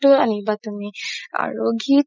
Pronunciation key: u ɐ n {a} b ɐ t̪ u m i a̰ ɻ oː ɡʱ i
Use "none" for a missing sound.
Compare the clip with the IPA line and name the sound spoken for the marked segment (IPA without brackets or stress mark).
i